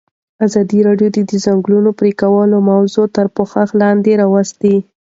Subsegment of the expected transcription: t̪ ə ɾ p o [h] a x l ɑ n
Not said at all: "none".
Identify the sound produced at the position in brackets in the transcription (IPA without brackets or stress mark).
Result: x